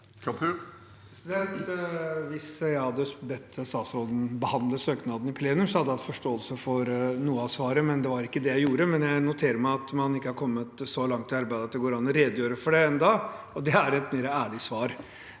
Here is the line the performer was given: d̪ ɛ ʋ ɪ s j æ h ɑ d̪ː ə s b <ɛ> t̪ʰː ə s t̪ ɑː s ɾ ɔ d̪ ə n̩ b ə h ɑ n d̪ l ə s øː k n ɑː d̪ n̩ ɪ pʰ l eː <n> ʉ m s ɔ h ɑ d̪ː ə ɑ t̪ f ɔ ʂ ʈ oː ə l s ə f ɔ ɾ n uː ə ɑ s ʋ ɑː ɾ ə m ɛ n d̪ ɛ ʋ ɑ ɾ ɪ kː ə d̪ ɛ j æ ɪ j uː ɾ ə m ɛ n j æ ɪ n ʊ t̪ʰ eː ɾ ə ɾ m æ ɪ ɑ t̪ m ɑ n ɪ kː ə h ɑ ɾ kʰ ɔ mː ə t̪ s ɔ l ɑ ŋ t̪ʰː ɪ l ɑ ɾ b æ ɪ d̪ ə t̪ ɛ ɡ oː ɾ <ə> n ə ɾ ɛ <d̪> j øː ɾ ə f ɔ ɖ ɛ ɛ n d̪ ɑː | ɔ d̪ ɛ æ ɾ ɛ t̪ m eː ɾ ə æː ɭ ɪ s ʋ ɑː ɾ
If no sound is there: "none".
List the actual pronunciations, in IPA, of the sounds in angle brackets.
ɛ, n, ɑ, d̪

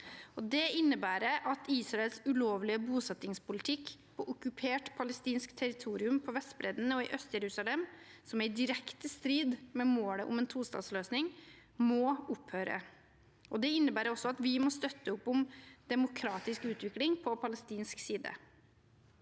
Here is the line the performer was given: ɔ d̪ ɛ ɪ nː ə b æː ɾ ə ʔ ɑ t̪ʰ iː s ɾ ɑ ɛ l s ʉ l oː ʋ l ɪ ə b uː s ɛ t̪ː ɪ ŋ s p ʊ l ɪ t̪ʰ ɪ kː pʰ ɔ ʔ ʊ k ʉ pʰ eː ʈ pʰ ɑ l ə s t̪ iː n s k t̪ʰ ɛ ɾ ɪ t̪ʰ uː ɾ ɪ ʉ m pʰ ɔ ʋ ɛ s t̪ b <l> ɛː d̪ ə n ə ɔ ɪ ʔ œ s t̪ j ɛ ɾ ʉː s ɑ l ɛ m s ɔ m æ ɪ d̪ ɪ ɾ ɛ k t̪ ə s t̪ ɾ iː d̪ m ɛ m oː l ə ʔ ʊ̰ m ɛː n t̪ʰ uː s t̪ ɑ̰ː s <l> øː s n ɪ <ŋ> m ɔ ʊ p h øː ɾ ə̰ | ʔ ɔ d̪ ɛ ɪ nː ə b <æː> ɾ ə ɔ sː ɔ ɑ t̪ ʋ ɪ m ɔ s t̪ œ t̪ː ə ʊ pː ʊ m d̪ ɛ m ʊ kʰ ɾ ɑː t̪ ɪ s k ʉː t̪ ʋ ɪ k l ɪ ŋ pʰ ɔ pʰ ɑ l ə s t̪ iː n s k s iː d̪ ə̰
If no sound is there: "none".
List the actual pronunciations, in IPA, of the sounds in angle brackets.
ɾ, l, ŋ, æː

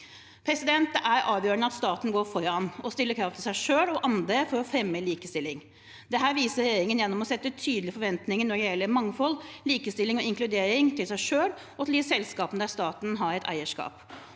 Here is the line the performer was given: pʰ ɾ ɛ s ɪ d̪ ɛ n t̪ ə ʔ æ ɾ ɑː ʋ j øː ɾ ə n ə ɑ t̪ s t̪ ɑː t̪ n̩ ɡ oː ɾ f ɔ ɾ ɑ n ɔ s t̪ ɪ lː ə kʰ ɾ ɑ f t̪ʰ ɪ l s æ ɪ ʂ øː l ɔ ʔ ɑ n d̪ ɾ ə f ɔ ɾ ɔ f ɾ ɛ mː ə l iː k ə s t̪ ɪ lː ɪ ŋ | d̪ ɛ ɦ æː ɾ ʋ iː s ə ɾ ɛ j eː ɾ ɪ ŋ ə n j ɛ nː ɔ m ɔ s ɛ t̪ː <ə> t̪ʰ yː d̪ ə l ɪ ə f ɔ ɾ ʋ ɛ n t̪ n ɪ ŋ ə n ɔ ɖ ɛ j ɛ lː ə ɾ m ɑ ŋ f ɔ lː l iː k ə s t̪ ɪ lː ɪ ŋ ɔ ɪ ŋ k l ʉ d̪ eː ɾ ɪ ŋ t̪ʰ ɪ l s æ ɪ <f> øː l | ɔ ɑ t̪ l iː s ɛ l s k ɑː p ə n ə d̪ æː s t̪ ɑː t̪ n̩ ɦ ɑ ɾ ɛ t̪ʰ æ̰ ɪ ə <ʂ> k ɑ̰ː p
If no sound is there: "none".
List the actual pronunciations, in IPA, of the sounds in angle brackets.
ə, ʂ, ʂ

